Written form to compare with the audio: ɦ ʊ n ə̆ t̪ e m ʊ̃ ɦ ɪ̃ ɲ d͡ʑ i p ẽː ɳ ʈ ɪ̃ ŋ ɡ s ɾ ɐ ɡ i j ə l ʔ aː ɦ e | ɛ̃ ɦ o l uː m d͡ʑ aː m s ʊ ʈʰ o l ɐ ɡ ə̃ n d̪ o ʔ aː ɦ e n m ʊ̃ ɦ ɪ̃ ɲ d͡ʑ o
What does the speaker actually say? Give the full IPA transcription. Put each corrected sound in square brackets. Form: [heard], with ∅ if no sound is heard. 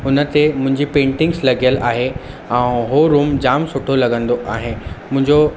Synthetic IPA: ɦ ʊ n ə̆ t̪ e m ʊ̃ ɦ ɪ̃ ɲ d͡ʑ i p ẽː ɳ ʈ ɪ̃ ŋ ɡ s [l] ɐ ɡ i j ə l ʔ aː ɦ e | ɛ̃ ɦ o [ɾ] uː m d͡ʑ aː m s ʊ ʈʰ o l ɐ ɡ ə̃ n d̪ o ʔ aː ɦ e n m ʊ̃ ɦ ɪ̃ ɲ d͡ʑ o

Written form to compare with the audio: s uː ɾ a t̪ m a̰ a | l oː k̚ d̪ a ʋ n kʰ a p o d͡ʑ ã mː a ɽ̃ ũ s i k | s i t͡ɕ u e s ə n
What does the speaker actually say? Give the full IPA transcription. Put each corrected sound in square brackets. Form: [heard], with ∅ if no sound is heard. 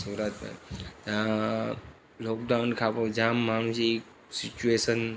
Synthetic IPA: s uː ɾ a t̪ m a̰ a | l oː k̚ d̪ a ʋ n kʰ a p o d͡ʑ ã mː a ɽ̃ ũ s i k | s i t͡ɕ u e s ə n

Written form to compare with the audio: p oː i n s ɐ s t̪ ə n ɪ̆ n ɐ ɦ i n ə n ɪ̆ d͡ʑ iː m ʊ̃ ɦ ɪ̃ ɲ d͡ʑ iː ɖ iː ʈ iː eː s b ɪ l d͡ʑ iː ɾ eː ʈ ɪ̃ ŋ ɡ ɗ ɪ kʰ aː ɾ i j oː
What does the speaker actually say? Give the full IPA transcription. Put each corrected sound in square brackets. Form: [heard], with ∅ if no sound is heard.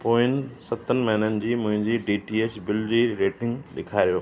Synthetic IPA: p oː [ɪ] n s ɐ [∅] t̪ ə n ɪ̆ [m] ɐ ɦ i n ə n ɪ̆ d͡ʑ iː m ʊ̃ ɦ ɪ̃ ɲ d͡ʑ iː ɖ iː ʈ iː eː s b ɪ l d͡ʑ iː ɾ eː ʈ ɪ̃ ŋ ɡ ɗ ɪ kʰ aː ɾ i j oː

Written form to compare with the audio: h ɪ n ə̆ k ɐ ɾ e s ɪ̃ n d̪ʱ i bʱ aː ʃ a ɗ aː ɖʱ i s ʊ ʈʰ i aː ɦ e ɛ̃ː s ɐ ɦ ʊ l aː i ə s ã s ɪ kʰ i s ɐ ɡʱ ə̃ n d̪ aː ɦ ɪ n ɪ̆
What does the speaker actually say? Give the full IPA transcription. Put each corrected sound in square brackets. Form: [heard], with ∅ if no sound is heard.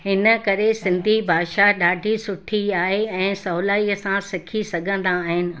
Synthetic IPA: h ɪ n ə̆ k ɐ ɾ e s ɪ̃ n d̪ʱ i bʱ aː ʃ a ɗ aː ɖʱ i s ʊ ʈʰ i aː ɦ e ɛ̃ː s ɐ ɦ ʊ l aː i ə s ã s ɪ kʰ i s ɐ ɡʱ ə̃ n d̪ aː ɦ ɪ n ɪ̆

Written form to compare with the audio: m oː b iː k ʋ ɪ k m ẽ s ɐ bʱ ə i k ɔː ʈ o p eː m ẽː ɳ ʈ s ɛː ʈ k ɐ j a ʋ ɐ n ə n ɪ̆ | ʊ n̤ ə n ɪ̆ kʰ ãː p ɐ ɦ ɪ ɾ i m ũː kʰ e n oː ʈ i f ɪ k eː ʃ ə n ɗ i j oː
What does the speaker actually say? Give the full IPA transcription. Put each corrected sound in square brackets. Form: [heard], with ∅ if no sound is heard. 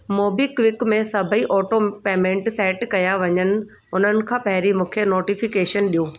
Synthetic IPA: m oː b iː k ʋ ɪ k m ẽ s ɐ bʱ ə i [ʔ] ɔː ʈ o p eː m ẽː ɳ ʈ s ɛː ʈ k ɐ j a ʋ ɐ [ɲ] ə n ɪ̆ | ʊ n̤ ə n ɪ̆ kʰ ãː p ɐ ɦ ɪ ɾ i m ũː kʰ e n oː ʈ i f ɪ k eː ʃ ə n ɗ i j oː

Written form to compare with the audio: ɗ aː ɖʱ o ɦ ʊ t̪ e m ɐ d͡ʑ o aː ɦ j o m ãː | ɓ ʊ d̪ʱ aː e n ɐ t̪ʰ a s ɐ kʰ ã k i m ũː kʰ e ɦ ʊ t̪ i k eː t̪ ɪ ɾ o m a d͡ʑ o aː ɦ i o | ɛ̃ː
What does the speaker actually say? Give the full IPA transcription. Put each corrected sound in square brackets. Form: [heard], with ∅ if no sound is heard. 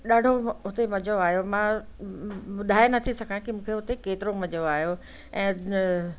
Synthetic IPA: ɗ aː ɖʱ o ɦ ʊ t̪ e m ɐ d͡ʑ o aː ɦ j o m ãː | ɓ ʊ d̪ʱ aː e n ɐ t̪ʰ [i] s ɐ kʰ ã k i m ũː kʰ e ɦ ʊ t̪ [e] k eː t̪ ɪ ɾ o m [ɐ] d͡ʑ o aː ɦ [j] o | ɛ̃ː

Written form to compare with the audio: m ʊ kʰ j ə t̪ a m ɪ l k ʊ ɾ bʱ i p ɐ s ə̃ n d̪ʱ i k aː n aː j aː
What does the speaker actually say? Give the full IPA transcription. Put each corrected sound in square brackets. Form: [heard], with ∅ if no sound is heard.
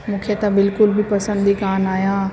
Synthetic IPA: m ʊ kʰ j ə t̪ a [b] ɪ l k ʊ [l] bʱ i p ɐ s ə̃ n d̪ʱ i k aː n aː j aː

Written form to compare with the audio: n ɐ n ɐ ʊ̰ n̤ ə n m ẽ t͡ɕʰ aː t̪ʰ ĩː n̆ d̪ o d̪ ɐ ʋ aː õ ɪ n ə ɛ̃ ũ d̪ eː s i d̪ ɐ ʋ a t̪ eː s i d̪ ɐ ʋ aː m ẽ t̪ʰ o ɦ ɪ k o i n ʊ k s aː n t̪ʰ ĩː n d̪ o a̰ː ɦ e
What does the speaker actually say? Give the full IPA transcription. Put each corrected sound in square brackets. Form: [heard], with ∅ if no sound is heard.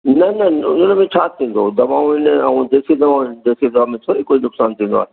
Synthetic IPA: n ɐ n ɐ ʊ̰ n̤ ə n m ẽ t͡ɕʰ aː t̪ʰ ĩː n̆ d̪ o d̪ ɐ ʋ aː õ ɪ n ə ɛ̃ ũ d̪ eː s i d̪ ɐ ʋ a [d̪] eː s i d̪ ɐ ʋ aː m ẽ t̪ʰ o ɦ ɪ k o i n ʊ k s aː n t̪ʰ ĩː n d̪ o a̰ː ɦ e

